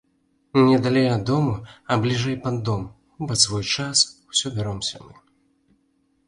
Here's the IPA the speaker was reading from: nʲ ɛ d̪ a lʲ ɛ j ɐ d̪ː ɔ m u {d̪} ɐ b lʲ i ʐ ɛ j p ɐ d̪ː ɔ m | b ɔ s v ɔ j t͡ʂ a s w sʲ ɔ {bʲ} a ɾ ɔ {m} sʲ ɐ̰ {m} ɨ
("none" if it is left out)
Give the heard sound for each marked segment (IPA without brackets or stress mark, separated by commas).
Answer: none, bʲ, m, m